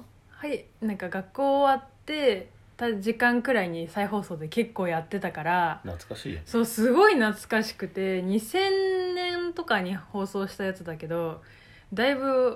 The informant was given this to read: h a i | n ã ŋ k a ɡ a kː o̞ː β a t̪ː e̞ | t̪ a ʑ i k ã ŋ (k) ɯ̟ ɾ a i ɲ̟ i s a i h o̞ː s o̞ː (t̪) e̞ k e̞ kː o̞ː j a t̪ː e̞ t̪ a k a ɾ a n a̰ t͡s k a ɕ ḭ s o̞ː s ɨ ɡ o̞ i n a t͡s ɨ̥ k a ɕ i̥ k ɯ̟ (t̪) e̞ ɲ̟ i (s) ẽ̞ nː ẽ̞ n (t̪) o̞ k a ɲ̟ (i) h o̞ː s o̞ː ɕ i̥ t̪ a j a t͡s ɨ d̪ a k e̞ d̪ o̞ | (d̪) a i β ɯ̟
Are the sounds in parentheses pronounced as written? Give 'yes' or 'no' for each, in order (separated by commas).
yes, no, yes, yes, yes, yes, yes